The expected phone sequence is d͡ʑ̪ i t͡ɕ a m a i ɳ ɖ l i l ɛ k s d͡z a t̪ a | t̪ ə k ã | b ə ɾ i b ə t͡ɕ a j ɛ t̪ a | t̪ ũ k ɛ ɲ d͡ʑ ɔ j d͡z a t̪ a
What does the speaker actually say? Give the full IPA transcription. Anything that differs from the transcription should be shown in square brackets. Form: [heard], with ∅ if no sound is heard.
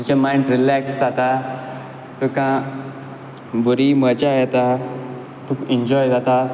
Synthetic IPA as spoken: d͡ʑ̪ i t͡ɕ a m a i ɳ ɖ [ɾ] i l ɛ k s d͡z a t̪ a | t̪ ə k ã | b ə ɾ i [m] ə t͡ɕ a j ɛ t̪ a | t̪ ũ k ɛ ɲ d͡ʑ ɔ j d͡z a t̪ a